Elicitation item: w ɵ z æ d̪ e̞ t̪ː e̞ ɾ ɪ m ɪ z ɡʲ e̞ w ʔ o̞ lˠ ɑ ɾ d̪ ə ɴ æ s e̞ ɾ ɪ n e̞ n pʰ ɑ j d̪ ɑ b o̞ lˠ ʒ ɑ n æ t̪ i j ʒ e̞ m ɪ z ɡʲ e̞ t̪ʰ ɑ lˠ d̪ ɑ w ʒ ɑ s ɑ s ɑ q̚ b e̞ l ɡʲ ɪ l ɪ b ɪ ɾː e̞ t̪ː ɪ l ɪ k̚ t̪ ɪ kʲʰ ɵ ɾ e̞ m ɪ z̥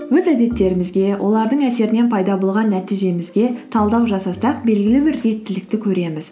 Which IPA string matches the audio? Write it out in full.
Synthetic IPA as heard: w ɵ z æ d̪ e̞ t̪ː e̞ ɾ ɪ m ɪ z ɡʲ e̞ w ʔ o̞ lˠ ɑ ɾ d̪ ə ɴ æ s e̞ ɾ ɪ n e̞ n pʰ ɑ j d̪ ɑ b o̞ lˠ ʁ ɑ nː æ t̪ i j ʒ e̞ m ɪ z ɡʲ e̞ t̪ʰ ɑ lˠ d̪ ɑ w ʒ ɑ s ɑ s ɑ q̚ b e̞ l ɡʲ ɪ l ɪ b ɪ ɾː e̞ t̪ː ɪ l ɪ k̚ t̪ ɪ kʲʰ ɵ ɾ e̞ m ɪ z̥